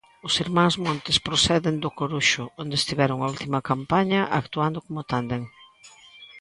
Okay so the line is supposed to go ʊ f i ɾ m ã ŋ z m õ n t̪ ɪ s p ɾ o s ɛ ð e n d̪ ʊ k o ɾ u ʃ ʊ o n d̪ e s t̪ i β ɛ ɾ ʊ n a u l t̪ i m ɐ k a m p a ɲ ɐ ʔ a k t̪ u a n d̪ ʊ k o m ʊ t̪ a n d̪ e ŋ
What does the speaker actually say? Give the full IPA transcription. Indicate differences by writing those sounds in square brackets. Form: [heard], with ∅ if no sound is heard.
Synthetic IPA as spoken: ʊ [s] i ɾ m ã ŋ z m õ n t̪ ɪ s p ɾ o s ɛ ð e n d̪ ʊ k o ɾ u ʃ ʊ o n d̪ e s t̪ i β ɛ ɾ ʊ [ŋ] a u l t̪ i m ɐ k a m p a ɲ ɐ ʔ a k t̪ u a n d̪ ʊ k o m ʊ t̪ a n d̪ e ŋ